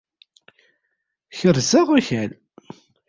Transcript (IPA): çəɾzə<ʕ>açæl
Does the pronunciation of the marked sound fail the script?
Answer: yes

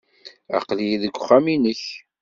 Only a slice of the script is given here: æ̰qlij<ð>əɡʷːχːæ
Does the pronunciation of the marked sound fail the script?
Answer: no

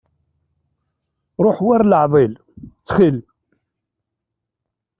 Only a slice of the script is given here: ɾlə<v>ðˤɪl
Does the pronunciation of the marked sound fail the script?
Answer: yes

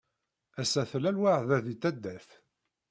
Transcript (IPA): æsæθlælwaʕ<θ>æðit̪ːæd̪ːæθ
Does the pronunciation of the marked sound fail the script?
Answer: yes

